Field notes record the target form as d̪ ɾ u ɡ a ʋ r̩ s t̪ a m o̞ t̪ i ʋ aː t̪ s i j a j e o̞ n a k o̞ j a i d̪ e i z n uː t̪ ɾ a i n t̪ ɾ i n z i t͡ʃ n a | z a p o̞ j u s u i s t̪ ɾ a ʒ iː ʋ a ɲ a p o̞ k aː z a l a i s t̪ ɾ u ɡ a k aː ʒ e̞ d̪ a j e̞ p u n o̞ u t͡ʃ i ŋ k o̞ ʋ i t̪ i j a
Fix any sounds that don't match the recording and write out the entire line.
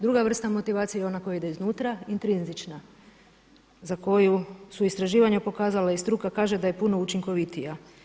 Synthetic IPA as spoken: d̪ ɾ u ɡ a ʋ r̩ s t̪ a m o̞ t̪ i ʋ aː t̪ s i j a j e o̞ n a k o̞ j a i d̪ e i z n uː t̪ ɾ a i n t̪ ɾ i n z i t͡ʃ n a | z a k o̞ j u s u i s t̪ ɾ a ʒ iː ʋ a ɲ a p o̞ k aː z a l a i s t̪ ɾ u k a k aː ʒ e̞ d̪ a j e̞ p u n o̞ u t͡ʃ i ŋ k o̞ ʋ i t̪ i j a

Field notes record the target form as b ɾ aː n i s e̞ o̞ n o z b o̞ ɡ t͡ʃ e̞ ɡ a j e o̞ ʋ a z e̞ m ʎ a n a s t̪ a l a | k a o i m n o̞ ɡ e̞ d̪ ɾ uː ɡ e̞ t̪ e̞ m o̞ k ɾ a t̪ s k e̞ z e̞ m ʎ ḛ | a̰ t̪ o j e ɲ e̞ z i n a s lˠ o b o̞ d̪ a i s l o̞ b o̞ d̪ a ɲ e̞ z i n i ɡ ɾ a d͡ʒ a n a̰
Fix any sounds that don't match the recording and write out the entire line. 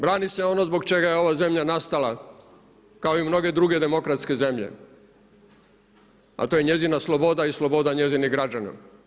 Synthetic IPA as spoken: b ɾ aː n i s e̞ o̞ n o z b o̞ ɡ t͡ʃ e̞ ɡ a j e o̞ ʋ a z e̞ m ʎ a n a s t̪ a l a | k a o i m n o̞ ɡ e̞ d̪ ɾ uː ɡ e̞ d̪ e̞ m o̞ k ɾ a t̪ s k e̞ z e̞ m ʎ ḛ | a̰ t̪ o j e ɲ e̞ z i n a s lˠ o b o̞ d̪ a i s l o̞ b o̞ d̪ a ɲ e̞ z i n i ɡ ɾ a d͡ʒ a n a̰

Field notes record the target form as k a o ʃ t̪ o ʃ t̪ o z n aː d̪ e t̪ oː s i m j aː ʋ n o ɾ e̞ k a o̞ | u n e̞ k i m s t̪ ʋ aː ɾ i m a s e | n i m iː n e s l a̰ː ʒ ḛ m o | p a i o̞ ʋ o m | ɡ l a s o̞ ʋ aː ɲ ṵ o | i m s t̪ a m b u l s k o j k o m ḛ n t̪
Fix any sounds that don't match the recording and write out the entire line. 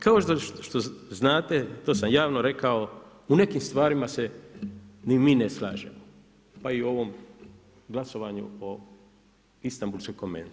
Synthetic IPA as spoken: k a o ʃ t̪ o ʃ t̪ o z n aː t̪ e t̪ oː s a m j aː ʋ n o ɾ e̞ k a o̞ | u n e̞ k i m s t̪ ʋ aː ɾ i m a s e | n i m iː n e s l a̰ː ʒ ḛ m o | p a i o̞ ʋ o m | ɡ l a s o̞ ʋ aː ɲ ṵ o | i s t̪ a m b u l s k o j k o m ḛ n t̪

